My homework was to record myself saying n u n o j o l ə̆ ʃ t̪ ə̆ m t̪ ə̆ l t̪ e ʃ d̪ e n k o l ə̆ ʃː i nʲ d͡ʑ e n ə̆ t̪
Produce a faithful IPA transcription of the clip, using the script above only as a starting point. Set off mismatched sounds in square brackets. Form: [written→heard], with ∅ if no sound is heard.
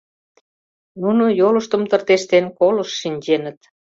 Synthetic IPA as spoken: n u n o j o l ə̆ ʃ t̪ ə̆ m t̪ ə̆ [l→r] t̪ e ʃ [d̪→t̪] e n k o l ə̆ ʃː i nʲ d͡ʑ e n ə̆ t̪